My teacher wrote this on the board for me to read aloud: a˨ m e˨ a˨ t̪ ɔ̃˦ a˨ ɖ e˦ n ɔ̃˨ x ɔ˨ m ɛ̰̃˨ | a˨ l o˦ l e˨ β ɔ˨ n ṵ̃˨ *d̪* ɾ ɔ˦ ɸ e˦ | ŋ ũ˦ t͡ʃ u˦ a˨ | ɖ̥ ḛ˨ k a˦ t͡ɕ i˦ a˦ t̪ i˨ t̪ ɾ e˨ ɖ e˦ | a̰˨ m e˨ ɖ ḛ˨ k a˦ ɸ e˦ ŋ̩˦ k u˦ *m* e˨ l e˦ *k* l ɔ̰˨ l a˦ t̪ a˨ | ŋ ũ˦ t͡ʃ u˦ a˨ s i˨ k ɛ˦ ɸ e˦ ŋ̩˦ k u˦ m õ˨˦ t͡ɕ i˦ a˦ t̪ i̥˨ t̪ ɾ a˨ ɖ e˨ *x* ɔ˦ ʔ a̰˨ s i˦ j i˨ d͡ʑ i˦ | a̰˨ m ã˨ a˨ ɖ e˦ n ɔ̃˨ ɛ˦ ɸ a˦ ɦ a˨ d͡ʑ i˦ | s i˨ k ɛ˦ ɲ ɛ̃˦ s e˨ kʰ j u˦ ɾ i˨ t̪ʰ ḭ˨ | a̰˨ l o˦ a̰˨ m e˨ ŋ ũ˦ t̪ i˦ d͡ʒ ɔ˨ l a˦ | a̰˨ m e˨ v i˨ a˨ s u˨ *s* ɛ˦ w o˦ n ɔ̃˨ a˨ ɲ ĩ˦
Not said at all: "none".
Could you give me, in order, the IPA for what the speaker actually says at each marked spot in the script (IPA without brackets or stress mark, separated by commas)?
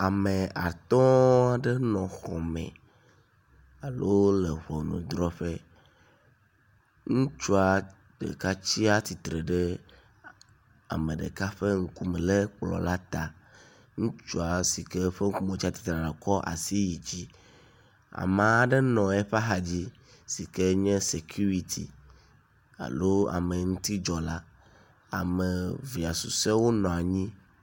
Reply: d̪, m, k͡p, k, s